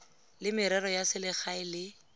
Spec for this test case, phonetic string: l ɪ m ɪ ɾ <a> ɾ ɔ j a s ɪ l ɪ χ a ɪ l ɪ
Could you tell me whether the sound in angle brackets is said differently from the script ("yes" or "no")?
yes